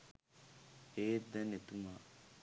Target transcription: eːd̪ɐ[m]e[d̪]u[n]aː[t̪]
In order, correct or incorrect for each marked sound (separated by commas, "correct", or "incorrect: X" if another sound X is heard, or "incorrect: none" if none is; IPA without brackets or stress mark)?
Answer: incorrect: n, incorrect: t̪, incorrect: m, incorrect: none